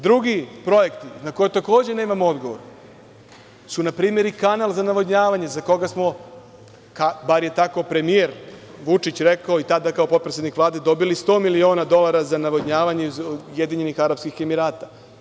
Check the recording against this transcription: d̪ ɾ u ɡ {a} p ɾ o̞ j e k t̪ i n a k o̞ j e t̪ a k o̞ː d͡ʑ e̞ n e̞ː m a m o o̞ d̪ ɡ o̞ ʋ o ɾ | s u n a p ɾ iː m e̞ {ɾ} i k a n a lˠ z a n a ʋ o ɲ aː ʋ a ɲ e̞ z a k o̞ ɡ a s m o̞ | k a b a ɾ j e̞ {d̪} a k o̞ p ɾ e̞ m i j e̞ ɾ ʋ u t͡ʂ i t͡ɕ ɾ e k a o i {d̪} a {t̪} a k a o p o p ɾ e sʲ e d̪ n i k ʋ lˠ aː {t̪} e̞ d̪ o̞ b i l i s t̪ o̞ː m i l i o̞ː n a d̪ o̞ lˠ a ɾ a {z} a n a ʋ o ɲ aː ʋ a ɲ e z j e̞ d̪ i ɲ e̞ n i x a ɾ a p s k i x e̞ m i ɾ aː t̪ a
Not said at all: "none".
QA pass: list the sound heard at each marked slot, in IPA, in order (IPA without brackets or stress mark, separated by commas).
i, ɾ, t̪, t̪, d̪, d̪, z